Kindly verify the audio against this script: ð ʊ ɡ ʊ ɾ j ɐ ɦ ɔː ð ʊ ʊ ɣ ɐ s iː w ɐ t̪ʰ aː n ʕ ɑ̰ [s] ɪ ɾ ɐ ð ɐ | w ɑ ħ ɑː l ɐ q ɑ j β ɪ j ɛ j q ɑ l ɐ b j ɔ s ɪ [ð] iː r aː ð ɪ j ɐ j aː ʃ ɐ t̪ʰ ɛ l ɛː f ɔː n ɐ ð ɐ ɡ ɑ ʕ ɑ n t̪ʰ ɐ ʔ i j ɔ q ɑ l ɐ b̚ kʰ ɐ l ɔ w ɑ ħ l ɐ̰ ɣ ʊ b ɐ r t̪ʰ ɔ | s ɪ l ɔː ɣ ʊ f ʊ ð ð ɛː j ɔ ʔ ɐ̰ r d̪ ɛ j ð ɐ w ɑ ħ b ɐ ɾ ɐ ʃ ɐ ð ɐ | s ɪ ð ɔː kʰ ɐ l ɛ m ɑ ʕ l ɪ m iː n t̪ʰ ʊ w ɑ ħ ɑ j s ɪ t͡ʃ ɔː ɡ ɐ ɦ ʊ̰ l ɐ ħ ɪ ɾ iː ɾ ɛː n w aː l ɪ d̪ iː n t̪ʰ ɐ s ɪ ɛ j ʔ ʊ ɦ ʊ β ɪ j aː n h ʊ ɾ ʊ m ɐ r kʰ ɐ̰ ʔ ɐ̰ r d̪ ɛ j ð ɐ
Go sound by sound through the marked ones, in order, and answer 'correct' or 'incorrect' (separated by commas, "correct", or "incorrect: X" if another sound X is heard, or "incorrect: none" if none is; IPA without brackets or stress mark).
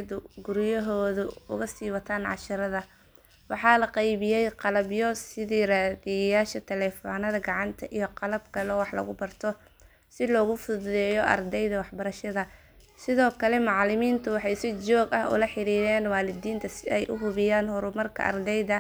incorrect: ʃ, correct